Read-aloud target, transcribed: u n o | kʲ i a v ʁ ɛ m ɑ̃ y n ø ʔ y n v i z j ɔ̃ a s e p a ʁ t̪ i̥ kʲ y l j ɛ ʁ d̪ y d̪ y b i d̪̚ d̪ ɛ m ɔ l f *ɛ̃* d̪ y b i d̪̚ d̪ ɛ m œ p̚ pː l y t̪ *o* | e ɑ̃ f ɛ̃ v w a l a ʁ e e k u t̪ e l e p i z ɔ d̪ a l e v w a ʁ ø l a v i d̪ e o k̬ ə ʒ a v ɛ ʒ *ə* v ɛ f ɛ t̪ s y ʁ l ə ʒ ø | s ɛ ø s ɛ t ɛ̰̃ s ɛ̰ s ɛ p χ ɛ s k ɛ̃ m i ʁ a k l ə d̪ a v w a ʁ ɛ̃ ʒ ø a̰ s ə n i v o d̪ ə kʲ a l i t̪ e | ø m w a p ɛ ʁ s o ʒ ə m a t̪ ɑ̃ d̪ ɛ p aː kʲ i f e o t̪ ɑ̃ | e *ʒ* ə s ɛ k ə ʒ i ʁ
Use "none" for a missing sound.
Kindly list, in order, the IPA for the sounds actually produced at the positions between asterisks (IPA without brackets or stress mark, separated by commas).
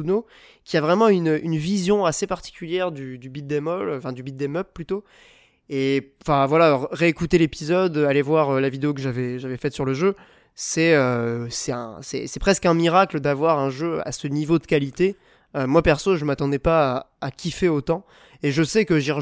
ɛ̃, o, a, ʒ